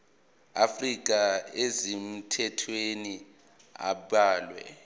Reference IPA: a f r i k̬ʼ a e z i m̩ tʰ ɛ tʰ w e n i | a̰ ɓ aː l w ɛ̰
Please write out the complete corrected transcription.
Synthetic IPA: a f r i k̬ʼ a e z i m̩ tʰ ɛ tʰ w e n i | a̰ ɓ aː l w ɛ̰